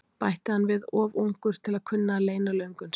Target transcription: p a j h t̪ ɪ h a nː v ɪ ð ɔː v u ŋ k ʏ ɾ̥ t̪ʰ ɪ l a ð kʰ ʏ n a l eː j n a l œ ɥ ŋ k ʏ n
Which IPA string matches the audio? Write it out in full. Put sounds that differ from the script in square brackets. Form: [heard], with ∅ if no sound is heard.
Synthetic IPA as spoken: p a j h t̪ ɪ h a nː v ɪ ð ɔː v u ŋ k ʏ ɾ̥ t̪ʰ ɪ l a ð kʰ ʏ [nː] a l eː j n a l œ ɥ ŋ k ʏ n